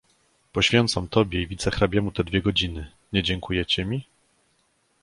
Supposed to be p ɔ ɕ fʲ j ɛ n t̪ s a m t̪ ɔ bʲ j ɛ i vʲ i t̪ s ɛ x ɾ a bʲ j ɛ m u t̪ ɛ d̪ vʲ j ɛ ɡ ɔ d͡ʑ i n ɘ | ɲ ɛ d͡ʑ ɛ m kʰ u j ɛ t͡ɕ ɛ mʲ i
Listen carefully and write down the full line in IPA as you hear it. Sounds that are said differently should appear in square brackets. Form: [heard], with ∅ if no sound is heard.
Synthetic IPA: p ɔ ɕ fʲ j ɛ n t̪ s a m t̪ ɔ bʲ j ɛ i vʲ i t̪ s ɛ x ɾ a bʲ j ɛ m u t̪ ɛ d̪ vʲ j ɛ ɡ ɔ d͡ʑ i n ɘ | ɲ ɛ d͡ʑ ɛ [ŋ] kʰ u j ɛ t͡ɕ ɛ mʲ i